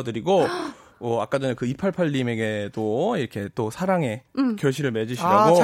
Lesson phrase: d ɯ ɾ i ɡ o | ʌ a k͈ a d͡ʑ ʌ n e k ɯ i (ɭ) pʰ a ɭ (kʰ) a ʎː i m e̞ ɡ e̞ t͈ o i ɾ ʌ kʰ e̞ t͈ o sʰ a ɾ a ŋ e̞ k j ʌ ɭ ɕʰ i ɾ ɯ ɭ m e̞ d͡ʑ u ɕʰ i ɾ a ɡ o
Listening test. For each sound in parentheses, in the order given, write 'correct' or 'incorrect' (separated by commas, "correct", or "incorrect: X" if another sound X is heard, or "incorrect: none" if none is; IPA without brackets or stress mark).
incorrect: none, incorrect: pʰ